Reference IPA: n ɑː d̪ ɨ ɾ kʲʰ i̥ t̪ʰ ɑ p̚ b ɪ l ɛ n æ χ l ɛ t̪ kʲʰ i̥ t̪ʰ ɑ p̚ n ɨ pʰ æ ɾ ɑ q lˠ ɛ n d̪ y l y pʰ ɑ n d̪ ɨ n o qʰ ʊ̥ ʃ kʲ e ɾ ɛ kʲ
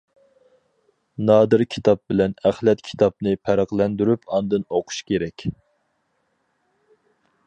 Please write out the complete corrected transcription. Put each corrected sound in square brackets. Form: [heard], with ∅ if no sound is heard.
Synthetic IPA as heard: n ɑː d̪ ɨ ɾ kʲʰ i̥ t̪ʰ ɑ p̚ b ɪ l ɛ n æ χ l ɛ t̪ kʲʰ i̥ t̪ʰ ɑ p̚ n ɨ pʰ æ ɾ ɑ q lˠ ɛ n d̪ y [ɾ] y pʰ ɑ n d̪ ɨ n o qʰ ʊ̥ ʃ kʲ e ɾ ɛ kʲ